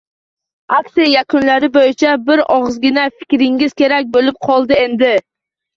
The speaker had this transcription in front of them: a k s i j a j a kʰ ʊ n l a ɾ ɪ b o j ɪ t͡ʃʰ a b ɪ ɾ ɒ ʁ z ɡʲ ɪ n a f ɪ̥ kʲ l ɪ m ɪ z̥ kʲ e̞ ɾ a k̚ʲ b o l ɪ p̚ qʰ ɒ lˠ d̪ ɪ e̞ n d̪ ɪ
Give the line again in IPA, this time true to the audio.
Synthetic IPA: a k s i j a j a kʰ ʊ n l a ɾ ɪ b o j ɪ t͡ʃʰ a b ɪ ɾ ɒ ʁ z ɡʲ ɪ n a f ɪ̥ kʲ ɾ ɪ ŋ ɪ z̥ kʲ e̞ ɾ a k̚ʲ b o l ɪ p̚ qʰ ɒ lˠ d̪ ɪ e̞ n d̪ ɪ